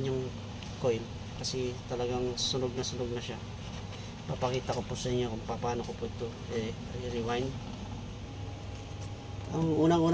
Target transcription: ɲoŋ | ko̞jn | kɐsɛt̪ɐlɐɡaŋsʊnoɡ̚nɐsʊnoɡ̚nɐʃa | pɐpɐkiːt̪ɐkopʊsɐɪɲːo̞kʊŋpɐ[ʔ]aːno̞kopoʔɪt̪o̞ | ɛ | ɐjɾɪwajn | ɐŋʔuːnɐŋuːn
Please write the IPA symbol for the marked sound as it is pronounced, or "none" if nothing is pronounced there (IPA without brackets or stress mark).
p